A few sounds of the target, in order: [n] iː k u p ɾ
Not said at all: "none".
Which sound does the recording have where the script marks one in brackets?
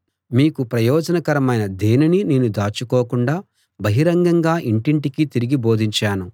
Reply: m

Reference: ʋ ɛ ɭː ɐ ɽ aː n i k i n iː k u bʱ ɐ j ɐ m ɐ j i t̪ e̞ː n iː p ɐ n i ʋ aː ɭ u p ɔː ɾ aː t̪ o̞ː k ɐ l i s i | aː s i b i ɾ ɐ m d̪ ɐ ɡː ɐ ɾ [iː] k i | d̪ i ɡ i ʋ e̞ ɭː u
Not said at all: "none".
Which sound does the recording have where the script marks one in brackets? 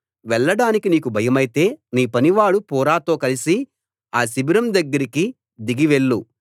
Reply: i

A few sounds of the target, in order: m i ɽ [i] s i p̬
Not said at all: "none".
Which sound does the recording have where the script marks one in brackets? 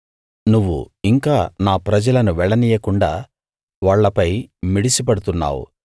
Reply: i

